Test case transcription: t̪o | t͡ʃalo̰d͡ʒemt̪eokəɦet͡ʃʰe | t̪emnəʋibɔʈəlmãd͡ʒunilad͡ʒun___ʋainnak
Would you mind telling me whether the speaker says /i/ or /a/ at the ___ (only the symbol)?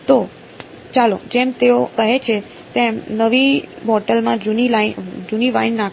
i